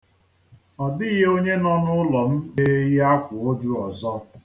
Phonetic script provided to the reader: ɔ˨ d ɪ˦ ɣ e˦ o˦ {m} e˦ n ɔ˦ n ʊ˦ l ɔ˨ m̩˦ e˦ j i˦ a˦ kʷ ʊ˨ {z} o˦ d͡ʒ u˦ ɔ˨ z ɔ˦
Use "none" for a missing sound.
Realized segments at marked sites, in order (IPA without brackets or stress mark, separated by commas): ɲ, none